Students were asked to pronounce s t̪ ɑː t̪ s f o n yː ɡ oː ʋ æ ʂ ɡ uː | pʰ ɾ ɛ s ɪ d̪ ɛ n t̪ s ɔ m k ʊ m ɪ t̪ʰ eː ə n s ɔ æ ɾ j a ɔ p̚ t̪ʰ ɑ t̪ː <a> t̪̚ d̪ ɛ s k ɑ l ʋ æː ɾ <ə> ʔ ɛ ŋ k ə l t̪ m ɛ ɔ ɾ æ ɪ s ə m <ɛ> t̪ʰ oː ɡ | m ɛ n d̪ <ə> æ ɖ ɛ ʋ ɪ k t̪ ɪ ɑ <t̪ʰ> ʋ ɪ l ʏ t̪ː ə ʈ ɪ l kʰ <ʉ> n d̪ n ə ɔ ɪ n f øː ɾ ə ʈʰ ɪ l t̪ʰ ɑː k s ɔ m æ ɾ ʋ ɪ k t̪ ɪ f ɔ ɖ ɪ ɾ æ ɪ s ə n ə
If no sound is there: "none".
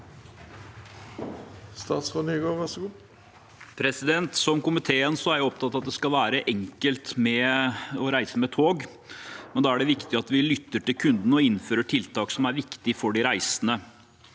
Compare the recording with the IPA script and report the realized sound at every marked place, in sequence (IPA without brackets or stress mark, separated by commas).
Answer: ɑ, ə, ɛ, ɑ, t̪, ʉ